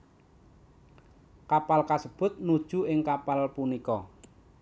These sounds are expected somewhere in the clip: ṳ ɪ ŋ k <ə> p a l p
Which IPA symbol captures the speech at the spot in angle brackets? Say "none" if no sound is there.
a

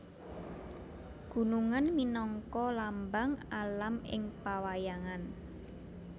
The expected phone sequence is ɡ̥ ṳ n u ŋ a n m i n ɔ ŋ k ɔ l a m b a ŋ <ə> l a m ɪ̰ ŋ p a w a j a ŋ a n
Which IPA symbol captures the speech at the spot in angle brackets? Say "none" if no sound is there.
a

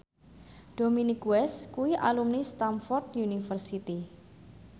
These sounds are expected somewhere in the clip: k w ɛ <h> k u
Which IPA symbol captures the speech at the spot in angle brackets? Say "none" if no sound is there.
s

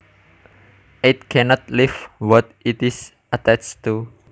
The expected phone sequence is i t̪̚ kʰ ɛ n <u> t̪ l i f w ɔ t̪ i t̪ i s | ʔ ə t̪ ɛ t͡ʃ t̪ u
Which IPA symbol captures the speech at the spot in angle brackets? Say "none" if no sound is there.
ɔ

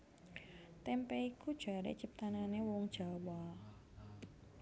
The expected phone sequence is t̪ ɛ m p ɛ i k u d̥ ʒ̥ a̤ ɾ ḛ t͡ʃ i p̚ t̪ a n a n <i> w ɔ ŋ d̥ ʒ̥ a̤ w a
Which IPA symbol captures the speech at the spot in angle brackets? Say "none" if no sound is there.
e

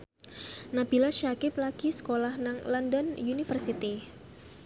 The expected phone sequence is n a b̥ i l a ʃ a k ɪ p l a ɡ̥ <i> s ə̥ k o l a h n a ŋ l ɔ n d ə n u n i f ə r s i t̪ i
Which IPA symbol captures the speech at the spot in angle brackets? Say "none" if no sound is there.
i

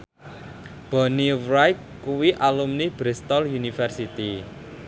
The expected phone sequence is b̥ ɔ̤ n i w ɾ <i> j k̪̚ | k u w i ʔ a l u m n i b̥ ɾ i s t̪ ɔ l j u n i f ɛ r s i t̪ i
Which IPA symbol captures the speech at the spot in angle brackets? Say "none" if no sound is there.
a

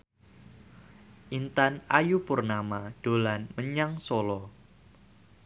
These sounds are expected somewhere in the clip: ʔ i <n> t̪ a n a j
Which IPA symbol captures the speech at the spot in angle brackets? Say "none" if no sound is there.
n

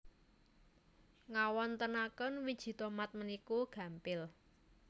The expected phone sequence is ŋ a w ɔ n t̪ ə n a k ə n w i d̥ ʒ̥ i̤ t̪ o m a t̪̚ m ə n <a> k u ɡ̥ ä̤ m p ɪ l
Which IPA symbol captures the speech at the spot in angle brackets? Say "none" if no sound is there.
i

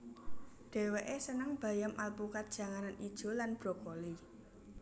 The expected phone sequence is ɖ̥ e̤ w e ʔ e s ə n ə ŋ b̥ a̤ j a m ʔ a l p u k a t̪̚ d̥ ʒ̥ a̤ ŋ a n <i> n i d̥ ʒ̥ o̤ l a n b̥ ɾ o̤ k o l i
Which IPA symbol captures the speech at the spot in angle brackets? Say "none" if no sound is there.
a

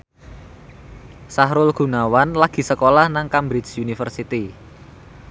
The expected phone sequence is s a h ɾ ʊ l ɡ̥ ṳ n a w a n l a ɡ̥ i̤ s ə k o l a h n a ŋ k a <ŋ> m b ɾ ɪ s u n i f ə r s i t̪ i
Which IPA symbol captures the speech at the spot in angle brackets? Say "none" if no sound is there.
none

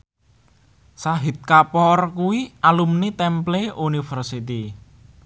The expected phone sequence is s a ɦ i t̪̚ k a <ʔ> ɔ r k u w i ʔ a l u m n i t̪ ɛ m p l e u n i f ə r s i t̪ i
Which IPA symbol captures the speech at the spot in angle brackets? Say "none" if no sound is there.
p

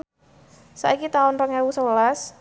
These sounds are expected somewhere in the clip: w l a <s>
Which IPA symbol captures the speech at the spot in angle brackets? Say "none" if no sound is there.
s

